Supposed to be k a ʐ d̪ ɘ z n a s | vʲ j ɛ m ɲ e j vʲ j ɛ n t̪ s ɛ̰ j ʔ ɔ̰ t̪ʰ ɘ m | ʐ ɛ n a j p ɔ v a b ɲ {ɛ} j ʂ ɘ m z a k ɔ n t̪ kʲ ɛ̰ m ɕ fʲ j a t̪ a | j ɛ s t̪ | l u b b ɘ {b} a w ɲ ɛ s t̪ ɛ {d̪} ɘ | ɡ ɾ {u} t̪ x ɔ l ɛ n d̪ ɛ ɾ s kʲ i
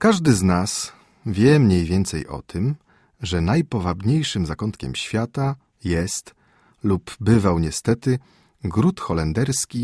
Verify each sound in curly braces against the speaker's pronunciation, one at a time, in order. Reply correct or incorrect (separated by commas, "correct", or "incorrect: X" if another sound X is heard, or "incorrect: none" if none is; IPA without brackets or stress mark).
incorrect: e, incorrect: v, incorrect: t̪, correct